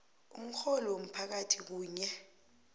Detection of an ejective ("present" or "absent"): absent